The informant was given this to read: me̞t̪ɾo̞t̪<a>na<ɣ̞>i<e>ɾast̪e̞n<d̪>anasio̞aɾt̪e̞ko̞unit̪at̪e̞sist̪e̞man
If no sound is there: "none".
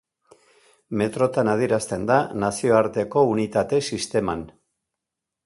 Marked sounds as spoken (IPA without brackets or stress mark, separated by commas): a, ð̞, e, d̪